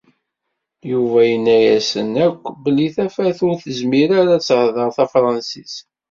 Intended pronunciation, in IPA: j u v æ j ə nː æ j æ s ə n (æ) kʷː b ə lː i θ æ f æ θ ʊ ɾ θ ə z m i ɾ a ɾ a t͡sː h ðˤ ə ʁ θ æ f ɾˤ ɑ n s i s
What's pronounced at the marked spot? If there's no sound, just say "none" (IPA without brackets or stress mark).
æ